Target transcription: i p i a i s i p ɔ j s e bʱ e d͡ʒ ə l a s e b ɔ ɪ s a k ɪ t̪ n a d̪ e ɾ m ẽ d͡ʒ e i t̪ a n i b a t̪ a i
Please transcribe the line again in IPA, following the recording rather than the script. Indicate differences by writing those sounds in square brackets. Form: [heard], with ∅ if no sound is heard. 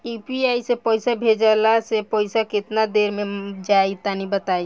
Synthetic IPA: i p i a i s [e] p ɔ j s [a] bʱ e d͡ʒ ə l a s e [p] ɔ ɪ s a k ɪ t̪ n a d̪ e ɾ m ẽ d͡ʒ [a] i t̪ a n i b [ə] t̪ a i